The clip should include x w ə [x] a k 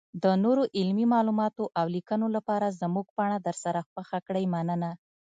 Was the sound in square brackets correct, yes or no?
yes